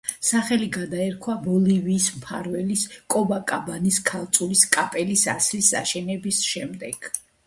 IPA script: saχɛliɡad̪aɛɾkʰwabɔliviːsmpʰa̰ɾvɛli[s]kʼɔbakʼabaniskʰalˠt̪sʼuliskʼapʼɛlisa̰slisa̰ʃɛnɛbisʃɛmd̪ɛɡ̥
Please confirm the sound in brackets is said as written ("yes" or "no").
yes